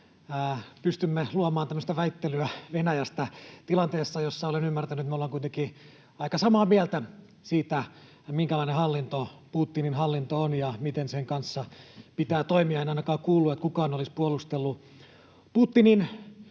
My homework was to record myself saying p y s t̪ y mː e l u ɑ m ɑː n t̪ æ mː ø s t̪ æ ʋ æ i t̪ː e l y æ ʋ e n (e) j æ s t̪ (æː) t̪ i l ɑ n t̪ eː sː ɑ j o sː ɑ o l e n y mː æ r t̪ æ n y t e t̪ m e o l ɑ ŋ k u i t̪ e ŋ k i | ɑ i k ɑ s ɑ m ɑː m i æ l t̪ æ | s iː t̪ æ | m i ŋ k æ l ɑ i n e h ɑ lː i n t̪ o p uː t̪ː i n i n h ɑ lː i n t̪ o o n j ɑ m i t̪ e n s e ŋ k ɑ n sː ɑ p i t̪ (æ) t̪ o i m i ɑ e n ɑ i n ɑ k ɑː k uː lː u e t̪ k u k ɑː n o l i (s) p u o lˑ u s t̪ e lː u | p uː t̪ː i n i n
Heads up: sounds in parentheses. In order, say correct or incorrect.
incorrect, incorrect, incorrect, correct

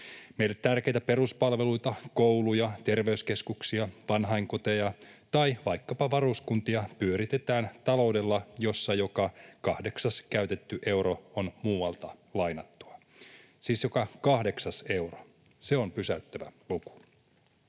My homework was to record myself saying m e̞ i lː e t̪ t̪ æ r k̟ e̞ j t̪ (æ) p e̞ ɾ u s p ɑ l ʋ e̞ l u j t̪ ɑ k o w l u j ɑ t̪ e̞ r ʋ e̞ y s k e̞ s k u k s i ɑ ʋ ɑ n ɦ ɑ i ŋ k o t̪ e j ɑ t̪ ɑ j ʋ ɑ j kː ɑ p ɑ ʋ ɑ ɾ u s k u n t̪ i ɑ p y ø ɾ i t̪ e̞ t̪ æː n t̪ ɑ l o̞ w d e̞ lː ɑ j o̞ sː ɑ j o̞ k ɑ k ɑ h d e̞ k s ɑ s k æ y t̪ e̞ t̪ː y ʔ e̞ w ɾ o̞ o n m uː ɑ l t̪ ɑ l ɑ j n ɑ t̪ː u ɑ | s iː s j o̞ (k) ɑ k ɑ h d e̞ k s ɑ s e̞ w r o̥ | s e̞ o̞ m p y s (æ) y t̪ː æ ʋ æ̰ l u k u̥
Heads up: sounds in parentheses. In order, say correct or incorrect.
correct, correct, correct

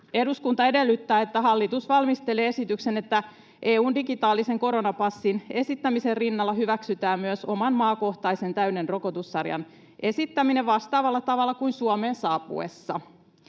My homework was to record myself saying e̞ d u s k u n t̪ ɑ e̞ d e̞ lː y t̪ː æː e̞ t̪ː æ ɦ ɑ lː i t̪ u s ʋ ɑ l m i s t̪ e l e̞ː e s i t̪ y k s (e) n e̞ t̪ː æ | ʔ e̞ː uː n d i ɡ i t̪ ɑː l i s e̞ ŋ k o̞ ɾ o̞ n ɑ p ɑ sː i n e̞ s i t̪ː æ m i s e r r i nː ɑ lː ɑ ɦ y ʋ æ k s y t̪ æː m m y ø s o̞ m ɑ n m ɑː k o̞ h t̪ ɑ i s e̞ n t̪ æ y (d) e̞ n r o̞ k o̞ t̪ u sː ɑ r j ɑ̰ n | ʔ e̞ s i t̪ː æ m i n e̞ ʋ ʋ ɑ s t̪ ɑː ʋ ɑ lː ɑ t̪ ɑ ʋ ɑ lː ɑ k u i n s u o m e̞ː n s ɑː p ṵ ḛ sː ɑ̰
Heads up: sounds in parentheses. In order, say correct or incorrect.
correct, incorrect

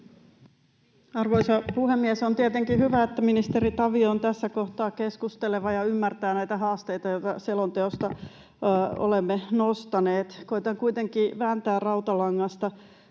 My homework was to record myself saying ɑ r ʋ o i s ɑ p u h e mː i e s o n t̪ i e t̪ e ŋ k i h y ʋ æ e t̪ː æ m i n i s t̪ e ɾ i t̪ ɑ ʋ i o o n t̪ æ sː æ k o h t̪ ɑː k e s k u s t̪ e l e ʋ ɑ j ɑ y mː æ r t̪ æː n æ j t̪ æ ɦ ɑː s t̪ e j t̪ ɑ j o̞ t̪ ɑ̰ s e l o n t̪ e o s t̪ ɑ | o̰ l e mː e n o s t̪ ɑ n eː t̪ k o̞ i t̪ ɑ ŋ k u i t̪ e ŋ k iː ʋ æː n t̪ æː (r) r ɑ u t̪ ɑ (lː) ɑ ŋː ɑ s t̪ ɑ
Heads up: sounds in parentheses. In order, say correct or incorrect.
correct, incorrect

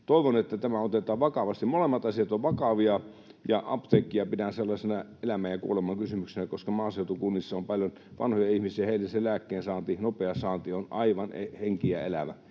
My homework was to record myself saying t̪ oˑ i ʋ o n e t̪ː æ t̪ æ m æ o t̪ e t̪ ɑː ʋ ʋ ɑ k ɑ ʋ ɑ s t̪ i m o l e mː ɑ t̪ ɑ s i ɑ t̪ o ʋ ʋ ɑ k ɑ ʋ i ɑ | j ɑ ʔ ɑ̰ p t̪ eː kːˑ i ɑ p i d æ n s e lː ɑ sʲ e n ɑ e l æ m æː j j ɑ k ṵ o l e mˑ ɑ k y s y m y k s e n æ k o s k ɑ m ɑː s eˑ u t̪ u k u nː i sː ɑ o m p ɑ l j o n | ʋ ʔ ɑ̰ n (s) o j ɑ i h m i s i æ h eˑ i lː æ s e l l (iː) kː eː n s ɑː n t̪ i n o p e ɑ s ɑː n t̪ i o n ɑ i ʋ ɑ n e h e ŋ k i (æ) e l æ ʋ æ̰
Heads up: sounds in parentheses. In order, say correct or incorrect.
incorrect, incorrect, correct

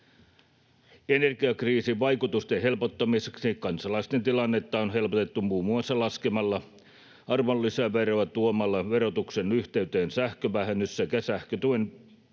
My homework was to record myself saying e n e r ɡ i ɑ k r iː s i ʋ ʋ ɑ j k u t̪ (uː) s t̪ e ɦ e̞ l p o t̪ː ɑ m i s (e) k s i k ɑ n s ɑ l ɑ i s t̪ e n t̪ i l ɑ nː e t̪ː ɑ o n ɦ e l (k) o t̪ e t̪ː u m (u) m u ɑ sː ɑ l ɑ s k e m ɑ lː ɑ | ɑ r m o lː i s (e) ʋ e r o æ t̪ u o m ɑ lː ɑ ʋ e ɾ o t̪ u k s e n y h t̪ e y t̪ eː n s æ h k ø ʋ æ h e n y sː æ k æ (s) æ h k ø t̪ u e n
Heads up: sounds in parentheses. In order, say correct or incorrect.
incorrect, correct, incorrect, incorrect, incorrect, correct

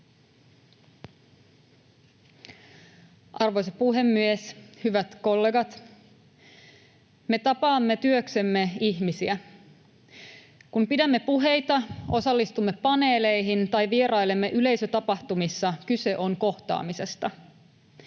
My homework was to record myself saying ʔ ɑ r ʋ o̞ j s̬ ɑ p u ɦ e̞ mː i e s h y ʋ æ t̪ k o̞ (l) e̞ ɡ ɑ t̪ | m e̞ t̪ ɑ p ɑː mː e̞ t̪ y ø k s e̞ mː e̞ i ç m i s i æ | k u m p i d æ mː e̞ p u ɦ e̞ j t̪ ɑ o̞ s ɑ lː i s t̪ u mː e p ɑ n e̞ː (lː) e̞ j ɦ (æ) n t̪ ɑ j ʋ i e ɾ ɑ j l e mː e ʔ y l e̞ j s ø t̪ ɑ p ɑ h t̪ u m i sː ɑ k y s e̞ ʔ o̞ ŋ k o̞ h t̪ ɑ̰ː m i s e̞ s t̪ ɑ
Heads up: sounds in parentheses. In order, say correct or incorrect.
incorrect, incorrect, incorrect

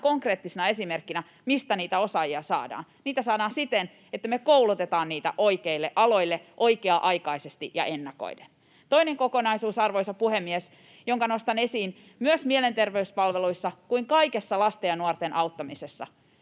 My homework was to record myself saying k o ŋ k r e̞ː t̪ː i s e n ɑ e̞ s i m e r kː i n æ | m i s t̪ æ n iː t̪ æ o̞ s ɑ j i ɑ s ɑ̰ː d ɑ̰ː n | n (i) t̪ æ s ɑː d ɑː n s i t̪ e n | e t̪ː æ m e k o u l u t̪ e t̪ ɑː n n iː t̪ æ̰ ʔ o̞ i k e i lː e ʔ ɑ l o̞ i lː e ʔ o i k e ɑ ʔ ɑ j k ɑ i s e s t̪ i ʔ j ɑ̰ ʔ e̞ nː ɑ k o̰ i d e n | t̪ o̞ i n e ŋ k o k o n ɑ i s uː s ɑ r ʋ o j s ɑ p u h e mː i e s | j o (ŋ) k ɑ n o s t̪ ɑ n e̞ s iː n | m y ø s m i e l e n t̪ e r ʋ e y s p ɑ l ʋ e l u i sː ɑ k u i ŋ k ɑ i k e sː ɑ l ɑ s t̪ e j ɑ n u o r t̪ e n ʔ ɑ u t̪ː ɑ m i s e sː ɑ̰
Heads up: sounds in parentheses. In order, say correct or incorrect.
incorrect, correct

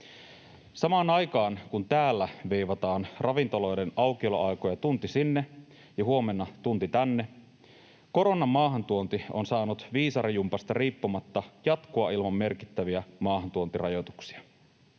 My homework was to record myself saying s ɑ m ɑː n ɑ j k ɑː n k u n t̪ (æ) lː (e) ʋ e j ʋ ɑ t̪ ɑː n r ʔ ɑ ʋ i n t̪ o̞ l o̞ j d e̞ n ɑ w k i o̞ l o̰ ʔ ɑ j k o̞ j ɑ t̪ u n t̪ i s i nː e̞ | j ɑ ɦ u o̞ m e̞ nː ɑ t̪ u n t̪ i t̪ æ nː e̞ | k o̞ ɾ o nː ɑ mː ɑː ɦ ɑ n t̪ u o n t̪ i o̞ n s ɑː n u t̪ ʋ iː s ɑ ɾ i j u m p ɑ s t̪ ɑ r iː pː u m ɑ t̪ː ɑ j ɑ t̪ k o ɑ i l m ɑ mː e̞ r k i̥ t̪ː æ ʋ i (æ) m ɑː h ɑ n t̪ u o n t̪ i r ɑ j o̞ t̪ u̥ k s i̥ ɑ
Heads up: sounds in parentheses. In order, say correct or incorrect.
incorrect, incorrect, correct

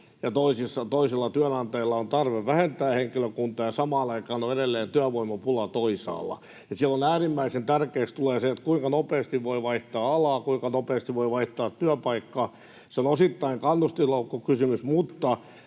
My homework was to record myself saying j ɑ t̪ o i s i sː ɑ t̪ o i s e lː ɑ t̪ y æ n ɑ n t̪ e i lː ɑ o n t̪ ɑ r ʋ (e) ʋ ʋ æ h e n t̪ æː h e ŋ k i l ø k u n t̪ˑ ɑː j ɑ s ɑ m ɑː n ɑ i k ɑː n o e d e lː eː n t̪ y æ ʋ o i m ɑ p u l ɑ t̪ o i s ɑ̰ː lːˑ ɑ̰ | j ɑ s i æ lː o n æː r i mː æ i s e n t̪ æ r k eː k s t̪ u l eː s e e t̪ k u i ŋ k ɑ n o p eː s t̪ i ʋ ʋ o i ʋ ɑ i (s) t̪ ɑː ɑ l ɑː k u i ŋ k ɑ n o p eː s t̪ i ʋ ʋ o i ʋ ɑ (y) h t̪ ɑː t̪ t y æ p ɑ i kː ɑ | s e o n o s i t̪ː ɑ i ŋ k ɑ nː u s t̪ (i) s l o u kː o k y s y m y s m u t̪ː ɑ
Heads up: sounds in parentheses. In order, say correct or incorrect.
correct, incorrect, incorrect, correct

